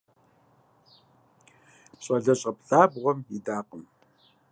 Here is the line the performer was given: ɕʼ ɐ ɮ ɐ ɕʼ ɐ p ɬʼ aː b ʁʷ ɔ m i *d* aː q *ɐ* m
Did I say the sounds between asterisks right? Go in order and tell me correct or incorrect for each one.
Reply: correct, incorrect

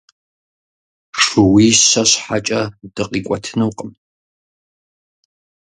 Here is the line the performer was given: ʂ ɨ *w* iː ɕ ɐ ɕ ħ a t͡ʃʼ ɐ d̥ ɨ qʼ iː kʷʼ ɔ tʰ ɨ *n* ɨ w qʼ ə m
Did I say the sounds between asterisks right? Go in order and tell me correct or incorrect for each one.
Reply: correct, correct

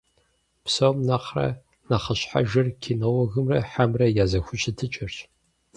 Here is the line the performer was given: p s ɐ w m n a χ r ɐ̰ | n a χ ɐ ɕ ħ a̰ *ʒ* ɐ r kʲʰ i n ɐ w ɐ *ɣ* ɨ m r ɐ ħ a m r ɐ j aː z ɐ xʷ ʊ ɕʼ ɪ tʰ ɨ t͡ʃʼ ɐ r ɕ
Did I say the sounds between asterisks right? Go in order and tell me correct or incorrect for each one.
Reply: correct, correct

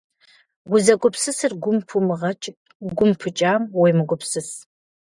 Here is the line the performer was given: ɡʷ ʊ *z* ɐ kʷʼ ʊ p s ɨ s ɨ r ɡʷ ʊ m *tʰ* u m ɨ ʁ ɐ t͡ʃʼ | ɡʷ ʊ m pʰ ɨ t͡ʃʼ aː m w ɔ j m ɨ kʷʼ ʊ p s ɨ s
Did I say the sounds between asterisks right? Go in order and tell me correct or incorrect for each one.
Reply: correct, incorrect

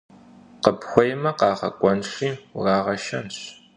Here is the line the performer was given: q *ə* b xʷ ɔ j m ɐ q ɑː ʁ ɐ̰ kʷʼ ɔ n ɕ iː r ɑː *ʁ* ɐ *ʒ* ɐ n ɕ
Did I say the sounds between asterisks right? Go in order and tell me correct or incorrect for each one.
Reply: correct, correct, incorrect

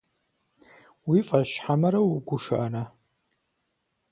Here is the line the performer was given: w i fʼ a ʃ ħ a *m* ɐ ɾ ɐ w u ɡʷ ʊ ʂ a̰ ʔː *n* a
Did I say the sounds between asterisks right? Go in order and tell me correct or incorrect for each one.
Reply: correct, correct

